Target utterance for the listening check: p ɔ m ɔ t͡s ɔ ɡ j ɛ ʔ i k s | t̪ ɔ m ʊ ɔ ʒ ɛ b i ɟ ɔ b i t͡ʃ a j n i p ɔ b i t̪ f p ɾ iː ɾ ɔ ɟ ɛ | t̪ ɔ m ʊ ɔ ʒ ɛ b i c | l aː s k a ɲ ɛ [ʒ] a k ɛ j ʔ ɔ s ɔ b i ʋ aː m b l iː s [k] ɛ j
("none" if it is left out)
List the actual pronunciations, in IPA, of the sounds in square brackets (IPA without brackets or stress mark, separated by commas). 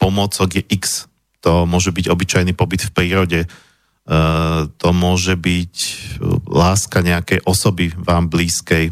none, k